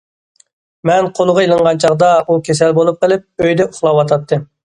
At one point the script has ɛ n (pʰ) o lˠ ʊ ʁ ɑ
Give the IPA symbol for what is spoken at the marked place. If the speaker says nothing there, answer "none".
qʰ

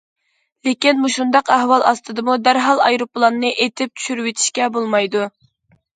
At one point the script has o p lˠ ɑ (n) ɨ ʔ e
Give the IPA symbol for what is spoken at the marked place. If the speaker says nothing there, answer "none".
nː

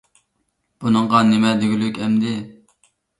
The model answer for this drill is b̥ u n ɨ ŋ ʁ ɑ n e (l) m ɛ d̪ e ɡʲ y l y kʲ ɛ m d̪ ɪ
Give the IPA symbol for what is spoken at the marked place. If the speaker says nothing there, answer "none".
none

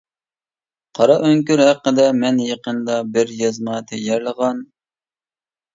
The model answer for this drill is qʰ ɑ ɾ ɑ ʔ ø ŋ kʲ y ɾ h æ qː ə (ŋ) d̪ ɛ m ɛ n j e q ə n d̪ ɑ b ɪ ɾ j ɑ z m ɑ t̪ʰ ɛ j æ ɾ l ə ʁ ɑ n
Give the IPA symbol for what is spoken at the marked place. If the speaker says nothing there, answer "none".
none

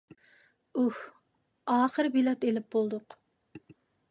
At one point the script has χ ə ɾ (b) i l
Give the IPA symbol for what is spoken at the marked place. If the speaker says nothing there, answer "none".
b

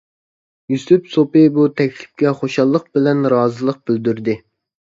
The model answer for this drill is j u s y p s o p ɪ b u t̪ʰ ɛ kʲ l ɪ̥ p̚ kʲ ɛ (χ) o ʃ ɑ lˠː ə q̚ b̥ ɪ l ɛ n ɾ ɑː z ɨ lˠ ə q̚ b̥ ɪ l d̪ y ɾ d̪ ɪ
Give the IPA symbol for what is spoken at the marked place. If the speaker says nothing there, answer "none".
χ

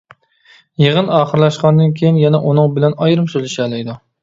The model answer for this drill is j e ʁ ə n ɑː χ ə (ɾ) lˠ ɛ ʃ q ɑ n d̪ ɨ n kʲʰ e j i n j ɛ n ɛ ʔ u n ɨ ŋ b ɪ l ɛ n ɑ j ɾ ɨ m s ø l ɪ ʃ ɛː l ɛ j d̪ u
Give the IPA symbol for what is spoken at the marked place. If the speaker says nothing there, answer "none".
ɾ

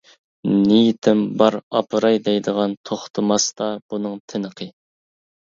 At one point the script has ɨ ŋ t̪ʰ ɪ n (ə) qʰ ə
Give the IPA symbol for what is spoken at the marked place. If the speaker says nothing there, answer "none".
ə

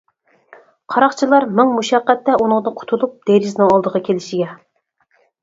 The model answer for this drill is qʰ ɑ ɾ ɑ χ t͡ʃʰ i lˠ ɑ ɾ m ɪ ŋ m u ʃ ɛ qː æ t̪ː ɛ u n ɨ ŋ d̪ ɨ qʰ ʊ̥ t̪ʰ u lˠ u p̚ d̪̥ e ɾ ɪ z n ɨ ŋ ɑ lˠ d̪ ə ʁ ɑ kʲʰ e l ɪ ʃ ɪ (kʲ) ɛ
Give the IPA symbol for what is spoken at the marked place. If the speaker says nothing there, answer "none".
ɡʲ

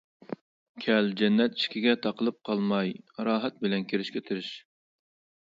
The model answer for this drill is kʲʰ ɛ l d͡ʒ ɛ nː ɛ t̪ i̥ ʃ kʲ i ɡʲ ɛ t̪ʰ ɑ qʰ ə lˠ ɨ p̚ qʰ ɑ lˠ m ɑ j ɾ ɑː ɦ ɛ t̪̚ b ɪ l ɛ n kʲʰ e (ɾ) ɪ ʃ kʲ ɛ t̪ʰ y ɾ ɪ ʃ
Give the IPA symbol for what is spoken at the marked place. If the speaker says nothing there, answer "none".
ɾ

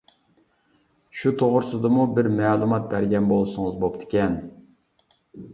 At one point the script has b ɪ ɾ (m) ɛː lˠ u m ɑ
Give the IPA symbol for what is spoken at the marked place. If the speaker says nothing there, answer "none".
m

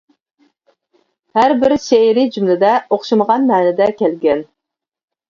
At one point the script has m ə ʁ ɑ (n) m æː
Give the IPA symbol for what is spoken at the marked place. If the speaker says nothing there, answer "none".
n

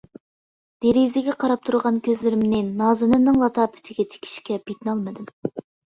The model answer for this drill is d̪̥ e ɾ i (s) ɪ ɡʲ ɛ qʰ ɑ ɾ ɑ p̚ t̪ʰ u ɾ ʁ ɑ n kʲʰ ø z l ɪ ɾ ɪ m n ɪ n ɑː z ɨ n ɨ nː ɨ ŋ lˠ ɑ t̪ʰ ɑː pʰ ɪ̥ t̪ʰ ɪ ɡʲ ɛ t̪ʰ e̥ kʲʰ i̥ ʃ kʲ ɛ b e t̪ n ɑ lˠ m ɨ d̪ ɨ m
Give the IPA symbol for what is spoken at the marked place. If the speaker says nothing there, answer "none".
z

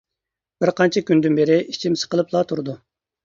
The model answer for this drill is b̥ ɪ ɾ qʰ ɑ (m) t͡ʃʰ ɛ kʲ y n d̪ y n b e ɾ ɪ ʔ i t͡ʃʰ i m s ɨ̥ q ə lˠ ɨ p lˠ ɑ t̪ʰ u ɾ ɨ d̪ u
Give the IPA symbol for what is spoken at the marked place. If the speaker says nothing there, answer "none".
n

